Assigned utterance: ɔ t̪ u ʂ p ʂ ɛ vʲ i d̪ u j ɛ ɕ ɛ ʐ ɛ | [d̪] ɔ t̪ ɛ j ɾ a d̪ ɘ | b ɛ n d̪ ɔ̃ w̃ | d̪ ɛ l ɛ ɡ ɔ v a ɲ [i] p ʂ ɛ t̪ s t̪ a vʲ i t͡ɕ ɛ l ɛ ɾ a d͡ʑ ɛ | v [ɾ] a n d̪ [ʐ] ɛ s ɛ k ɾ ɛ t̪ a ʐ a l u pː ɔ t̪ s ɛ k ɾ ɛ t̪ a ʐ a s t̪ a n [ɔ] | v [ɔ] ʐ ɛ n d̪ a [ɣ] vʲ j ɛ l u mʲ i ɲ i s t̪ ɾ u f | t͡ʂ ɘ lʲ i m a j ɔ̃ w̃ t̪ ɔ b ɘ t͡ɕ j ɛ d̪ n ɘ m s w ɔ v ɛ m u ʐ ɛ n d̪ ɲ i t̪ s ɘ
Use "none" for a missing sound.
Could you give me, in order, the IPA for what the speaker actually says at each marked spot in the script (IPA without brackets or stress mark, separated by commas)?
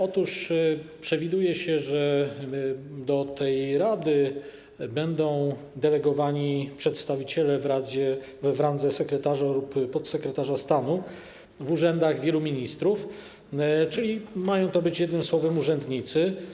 d̪, i, ɾ, z, u, u, ɣ